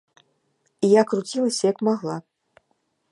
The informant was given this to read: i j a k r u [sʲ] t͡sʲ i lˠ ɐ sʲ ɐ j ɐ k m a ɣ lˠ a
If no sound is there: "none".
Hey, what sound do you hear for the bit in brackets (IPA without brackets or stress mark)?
none